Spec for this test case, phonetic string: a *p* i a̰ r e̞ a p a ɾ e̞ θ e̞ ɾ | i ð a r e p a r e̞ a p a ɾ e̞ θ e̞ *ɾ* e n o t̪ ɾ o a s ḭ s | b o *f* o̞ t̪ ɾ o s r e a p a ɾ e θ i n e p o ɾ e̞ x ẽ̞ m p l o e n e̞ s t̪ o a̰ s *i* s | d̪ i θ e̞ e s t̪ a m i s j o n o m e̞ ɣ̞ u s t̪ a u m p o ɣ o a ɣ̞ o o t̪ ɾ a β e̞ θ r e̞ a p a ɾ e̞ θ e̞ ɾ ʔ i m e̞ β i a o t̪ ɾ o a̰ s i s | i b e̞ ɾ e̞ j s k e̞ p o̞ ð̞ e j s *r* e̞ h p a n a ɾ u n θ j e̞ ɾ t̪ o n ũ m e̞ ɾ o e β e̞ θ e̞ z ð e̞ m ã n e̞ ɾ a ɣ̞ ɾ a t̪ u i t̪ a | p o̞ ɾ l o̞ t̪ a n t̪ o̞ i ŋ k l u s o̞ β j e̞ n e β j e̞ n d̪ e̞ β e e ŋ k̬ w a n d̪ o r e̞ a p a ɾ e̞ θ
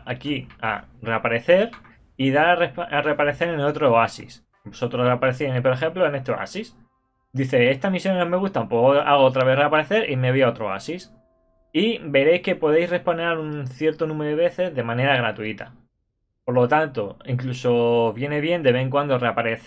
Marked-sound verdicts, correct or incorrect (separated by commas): incorrect, correct, incorrect, correct, correct